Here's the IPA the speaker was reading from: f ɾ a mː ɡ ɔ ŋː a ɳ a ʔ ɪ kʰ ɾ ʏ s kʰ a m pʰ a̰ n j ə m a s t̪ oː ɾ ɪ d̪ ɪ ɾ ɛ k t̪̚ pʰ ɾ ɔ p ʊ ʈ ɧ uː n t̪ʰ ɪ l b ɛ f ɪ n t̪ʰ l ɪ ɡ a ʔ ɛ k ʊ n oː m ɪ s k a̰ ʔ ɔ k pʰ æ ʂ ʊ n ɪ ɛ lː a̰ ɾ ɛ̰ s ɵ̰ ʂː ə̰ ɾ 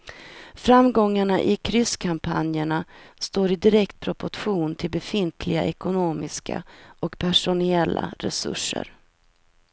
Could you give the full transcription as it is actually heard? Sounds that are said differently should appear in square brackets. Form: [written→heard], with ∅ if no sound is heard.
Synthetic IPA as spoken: f ɾ a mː ɡ ɔ ŋː a ɳ a ʔ ɪ kʰ ɾ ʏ s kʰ a m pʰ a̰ n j ə [m→ɳ] a s t̪ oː ɾ ɪ d̪ ɪ ɾ ɛ k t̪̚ pʰ ɾ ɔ p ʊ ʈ ɧ uː n t̪ʰ ɪ l b ɛ f ɪ n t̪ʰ l ɪ ɡ a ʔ ɛ k ʊ n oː m ɪ s k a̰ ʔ ɔ k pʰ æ ʂ ʊ n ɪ ɛ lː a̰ ɾ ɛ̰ s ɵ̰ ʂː ə̰ ɾ